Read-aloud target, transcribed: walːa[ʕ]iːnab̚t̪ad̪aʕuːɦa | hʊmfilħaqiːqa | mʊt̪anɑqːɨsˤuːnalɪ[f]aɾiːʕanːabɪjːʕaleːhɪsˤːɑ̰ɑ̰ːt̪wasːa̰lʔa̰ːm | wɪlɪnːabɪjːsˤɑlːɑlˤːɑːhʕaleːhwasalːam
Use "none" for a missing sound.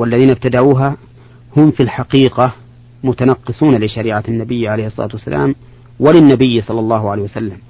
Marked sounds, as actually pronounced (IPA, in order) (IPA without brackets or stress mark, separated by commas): ð, ʃ